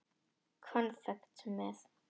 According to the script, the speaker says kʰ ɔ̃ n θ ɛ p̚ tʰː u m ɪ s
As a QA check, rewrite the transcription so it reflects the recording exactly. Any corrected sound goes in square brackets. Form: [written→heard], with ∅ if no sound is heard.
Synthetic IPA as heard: kʰ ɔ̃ n [θ→s] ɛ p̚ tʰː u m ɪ s